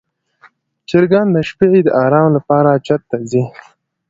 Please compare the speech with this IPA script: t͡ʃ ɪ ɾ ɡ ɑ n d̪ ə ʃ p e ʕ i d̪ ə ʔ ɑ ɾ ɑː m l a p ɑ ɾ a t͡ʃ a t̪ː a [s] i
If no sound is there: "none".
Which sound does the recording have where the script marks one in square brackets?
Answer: z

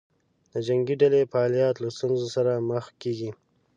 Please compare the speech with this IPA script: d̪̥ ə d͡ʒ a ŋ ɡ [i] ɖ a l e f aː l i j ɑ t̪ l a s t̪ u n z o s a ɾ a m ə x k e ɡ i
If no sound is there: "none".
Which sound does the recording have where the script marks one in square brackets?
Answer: i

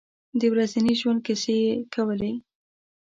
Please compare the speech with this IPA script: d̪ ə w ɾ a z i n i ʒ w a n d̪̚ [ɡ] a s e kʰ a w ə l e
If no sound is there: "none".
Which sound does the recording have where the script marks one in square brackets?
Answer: k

